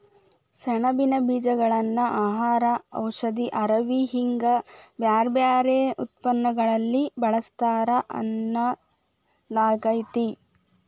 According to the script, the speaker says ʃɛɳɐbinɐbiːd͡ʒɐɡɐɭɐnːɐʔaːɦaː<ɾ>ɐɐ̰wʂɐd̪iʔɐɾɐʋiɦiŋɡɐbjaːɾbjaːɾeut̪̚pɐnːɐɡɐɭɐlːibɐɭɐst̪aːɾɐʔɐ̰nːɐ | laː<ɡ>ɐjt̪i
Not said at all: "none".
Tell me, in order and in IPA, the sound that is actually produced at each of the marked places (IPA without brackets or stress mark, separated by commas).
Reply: ɾ, ɡ